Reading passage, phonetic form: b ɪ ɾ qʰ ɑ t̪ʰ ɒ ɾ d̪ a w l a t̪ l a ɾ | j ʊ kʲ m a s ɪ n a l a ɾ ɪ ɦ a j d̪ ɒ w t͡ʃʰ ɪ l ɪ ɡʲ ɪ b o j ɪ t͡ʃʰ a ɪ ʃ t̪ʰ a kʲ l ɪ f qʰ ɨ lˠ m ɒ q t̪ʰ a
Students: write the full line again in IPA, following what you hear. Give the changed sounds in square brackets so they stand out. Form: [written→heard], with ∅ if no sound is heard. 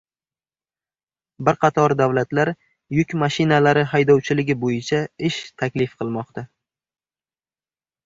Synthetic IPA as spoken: b ɪ ɾ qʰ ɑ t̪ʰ ɒ ɾ d̪ a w l a t̪ l a ɾ | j ʊ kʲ m a [s→ʃ] ɪ n a l a ɾ ɪ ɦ a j d̪ ɒ w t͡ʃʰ ɪ l ɪ ɡʲ ɪ b o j ɪ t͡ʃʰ a ɪ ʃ t̪ʰ a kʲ l ɪ f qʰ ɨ lˠ m ɒ q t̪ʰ a